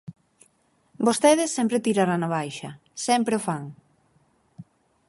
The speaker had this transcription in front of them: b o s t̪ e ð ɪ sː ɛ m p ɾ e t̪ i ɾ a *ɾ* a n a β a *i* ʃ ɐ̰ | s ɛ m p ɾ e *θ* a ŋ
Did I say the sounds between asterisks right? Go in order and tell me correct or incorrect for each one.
correct, incorrect: j, incorrect: f

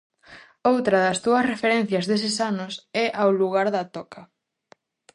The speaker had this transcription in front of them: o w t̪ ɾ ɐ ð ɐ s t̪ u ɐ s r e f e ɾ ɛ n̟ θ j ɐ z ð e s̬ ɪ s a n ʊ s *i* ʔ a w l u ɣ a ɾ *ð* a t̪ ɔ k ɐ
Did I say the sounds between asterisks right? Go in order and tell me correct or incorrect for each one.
incorrect: ɛ, correct

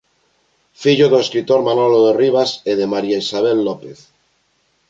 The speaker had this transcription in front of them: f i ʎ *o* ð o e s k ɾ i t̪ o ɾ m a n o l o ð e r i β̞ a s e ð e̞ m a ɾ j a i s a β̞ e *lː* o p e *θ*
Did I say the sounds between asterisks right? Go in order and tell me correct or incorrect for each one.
correct, correct, correct

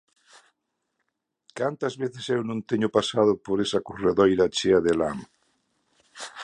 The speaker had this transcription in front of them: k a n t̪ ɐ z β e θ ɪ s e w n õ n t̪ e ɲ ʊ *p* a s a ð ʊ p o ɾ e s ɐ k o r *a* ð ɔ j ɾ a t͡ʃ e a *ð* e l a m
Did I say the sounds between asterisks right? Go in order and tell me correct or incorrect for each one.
correct, incorrect: e, correct

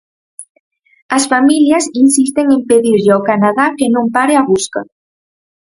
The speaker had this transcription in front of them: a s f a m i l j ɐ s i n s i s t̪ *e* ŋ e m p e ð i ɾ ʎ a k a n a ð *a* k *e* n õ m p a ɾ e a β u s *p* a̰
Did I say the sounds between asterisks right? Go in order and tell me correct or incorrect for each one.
correct, correct, correct, incorrect: k

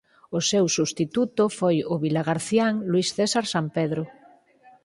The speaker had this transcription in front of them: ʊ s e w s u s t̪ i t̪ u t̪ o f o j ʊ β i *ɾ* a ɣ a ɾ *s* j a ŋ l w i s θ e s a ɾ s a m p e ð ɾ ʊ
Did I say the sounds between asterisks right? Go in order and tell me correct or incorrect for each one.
incorrect: l, incorrect: θ

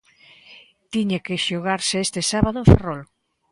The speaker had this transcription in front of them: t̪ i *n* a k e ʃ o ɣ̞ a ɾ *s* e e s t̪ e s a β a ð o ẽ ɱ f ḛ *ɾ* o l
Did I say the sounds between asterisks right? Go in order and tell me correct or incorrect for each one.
incorrect: ɲ, correct, incorrect: r

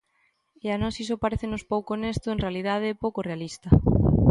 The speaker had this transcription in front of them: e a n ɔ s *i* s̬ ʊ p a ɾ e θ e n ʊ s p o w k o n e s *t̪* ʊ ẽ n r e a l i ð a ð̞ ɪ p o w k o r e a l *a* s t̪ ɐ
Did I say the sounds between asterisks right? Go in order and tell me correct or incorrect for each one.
correct, correct, incorrect: i

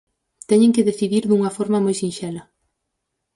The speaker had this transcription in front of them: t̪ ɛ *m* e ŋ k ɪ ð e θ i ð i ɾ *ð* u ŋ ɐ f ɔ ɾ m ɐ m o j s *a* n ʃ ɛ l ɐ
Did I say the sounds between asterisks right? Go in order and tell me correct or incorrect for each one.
incorrect: ɲ, correct, incorrect: i

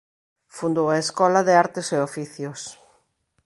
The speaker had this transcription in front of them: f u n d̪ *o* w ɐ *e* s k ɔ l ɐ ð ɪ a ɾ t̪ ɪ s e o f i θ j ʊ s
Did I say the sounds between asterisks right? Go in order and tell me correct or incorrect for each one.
correct, correct

